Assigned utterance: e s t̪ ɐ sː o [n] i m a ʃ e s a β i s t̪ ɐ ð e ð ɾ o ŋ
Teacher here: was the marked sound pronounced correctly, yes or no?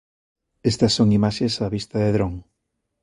no